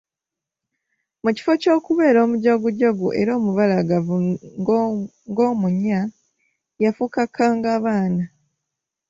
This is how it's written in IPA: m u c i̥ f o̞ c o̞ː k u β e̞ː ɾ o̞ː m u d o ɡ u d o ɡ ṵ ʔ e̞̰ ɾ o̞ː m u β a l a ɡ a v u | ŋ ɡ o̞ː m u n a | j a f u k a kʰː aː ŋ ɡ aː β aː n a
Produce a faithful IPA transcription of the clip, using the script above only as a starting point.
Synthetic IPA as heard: m u c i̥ f o̞ c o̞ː k u β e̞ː ɾ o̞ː m u ɟ o ɡ u ɟ o ɡ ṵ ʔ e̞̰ ɾ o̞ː m u β a l a ɡ a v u | ŋ ɡ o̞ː m u ɲ a | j a f u k a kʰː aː ŋ ɡ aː β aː n a